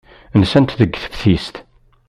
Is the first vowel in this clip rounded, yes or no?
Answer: no